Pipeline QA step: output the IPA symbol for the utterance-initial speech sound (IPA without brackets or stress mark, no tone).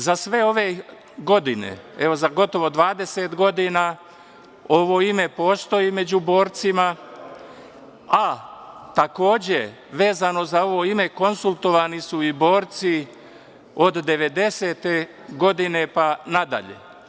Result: z